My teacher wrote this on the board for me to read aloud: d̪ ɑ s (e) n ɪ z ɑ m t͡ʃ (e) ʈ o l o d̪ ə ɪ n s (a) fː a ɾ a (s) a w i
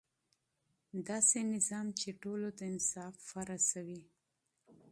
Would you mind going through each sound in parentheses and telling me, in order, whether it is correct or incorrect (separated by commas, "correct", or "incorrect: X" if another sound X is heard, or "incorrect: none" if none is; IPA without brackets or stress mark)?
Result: correct, correct, incorrect: ɑ, correct